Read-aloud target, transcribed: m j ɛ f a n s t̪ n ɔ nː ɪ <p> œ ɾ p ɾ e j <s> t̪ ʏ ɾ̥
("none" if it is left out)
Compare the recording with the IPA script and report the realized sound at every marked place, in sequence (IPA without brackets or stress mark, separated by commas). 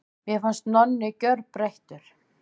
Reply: c, h